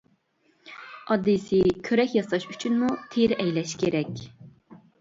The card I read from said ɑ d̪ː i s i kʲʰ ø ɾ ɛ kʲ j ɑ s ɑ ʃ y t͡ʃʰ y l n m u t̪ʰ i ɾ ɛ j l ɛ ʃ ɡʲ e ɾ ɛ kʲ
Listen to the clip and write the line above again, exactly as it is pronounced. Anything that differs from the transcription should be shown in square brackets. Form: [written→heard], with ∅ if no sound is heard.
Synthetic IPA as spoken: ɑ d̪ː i s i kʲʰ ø ɾ ɛ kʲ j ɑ s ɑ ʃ y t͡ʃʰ y [l→∅] n m u t̪ʰ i ɾ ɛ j l ɛ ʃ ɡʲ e ɾ ɛ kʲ